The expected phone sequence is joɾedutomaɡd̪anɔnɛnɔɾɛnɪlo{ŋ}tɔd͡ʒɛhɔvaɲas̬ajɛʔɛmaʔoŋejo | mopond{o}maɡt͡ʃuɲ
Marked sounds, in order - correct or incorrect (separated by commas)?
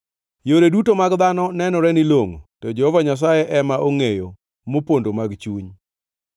correct, correct